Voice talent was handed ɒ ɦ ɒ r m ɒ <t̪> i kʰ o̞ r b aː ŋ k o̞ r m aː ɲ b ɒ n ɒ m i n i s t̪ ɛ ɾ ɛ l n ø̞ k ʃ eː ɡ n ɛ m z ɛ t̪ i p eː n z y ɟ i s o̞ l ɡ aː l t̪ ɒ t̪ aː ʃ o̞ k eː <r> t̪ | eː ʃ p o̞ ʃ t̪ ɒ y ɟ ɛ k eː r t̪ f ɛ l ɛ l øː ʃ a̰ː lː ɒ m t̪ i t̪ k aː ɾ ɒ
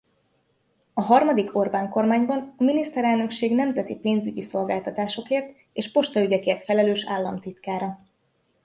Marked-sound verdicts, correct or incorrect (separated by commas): incorrect, correct